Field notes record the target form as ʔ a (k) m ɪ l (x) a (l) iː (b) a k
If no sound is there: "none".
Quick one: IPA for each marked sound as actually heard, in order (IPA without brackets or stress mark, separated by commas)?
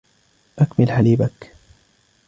k, ħ, l, b